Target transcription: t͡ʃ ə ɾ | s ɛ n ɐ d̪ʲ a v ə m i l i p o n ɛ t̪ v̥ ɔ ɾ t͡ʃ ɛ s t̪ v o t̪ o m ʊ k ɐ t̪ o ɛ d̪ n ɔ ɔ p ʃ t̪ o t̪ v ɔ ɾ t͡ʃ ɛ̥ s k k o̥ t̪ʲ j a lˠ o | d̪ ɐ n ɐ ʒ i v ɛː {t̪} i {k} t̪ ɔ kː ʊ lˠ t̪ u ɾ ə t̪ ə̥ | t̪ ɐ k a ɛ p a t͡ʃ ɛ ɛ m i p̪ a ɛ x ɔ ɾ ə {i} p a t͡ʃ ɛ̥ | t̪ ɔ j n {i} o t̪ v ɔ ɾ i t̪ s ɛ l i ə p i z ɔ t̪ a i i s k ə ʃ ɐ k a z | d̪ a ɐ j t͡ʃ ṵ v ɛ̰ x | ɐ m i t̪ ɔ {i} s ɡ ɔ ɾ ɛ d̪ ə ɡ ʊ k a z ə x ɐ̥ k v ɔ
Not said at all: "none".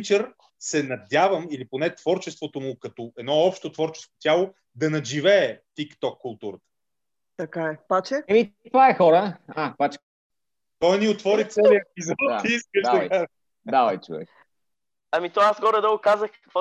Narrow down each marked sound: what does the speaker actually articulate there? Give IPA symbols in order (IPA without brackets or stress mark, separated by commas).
t̪, k, a, i, a